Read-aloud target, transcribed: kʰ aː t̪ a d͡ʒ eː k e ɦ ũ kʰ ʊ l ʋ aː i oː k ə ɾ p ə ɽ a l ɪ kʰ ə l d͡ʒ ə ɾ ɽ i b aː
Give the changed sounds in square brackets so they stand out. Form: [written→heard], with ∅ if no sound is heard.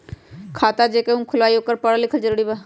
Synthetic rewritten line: kʰ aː t̪ a d͡ʒ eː k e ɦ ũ kʰ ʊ l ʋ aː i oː k ə ɾ p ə ɽ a l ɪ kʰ ə l d͡ʒ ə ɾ ɽ i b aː

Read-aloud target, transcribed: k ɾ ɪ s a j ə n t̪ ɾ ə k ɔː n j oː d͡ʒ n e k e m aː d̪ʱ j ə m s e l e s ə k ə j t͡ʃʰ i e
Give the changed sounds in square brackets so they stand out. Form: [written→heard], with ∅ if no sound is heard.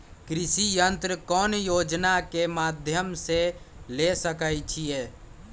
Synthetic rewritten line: k ɾ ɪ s [a→i] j ə n t̪ ɾ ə k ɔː n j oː d͡ʒ n [e→a] k e m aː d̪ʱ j ə m s e l e s ə k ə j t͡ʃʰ i e

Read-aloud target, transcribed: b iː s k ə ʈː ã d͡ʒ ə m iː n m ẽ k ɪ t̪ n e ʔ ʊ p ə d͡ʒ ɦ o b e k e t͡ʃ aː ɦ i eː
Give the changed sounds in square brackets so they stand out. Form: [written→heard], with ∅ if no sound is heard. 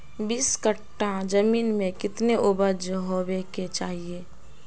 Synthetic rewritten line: b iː s k ə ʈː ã d͡ʒ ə m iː n m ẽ k ɪ t̪ n e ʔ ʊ [p→b] ə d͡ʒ ɦ o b e k e t͡ʃ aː ɦ i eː

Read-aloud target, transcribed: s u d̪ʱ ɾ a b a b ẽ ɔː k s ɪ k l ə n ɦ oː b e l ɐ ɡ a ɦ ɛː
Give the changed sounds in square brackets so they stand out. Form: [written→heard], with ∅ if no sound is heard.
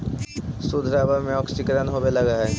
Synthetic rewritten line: s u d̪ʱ ɾ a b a [b→m] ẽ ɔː k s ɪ k [l→ɾ] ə n ɦ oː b e l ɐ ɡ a ɦ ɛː

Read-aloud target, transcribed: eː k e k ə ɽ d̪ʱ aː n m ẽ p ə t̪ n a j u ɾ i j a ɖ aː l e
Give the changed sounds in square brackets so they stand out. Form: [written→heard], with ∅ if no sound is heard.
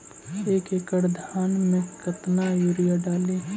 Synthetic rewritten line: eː k e k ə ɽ d̪ʱ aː n m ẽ [p→k] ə t̪ n a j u ɾ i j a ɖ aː l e

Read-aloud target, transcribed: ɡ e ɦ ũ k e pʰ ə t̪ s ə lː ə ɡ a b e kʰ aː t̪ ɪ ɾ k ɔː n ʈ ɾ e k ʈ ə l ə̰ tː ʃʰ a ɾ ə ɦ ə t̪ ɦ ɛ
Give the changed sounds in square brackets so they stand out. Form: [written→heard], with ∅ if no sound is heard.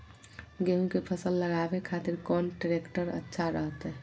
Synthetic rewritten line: ɡ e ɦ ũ k e pʰ ə [t̪→∅] s ə lː ə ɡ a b e kʰ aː t̪ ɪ ɾ k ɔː n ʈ ɾ e k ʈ ə [l→ɾ] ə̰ tː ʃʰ a ɾ ə ɦ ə t̪ ɦ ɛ

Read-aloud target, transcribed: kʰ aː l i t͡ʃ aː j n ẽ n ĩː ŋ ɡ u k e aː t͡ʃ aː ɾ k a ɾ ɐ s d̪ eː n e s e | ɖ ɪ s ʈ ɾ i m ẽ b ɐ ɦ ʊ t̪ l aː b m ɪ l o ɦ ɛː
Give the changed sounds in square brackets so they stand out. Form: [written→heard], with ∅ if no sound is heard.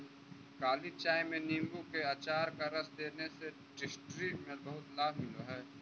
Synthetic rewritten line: [kʰ→k] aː l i t͡ʃ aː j [n→m] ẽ n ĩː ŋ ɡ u k e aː t͡ʃ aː ɾ k a ɾ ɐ s d̪ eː n e s e | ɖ ɪ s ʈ ɾ i m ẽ b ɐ ɦ ʊ t̪ l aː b m ɪ l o ɦ ɛː

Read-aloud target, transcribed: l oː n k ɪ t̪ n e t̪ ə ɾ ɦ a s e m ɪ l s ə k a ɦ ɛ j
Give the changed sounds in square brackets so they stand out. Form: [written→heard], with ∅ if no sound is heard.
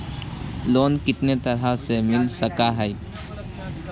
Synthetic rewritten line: l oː n k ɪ t̪ n e t̪ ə ɾ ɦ a s e m ɪ l s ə k a ɦ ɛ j

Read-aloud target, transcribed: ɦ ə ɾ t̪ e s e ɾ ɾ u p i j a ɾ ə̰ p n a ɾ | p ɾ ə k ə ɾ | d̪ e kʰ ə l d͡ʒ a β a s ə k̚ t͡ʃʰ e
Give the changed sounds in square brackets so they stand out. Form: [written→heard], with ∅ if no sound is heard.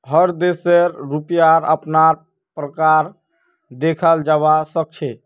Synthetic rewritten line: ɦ ə ɾ [t̪→d̪] e s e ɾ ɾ u p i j a ɾ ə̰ p n a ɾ | p ɾ ə k [ə→a] ɾ | d̪ e kʰ ə l d͡ʒ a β a s ə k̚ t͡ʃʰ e

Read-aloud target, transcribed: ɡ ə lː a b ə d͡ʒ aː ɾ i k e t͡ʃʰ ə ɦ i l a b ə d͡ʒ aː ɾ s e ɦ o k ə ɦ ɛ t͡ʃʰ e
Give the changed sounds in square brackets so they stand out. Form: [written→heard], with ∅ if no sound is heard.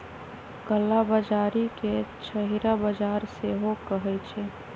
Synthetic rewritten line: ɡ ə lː a b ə d͡ʒ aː ɾ i k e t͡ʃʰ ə ɦ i [l→ɾ] a b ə d͡ʒ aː ɾ s e ɦ o k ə ɦ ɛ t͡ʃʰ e

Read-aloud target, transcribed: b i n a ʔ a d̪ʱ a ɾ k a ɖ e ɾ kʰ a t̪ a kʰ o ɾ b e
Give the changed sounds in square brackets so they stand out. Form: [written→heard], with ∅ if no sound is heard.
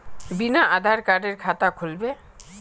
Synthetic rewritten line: b i n a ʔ a d̪ʱ a ɾ k a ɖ e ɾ kʰ a t̪ a kʰ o [ɾ→l] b e

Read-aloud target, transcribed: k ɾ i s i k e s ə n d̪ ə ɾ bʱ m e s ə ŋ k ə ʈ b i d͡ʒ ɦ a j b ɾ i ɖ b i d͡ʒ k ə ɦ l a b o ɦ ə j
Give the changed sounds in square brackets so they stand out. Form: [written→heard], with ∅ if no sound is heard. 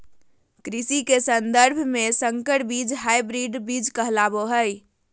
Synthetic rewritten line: k ɾ i s i k e s ə n d̪ ə ɾ bʱ m e s ə ŋ k ə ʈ b i d͡ʒ ɦ a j b ɾ i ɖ b i d͡ʒ k ə ɦ l a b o ɦ ə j

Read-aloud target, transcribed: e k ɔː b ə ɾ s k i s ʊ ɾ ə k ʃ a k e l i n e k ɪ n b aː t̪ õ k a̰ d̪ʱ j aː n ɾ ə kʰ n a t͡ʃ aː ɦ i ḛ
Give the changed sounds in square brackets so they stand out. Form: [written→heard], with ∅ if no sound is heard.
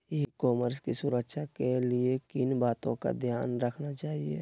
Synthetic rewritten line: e k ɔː [b→m] ə ɾ s k i s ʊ ɾ ə k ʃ a k e l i [n→∅] e k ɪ n b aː t̪ õ k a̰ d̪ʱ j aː n ɾ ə kʰ n a t͡ʃ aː ɦ i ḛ

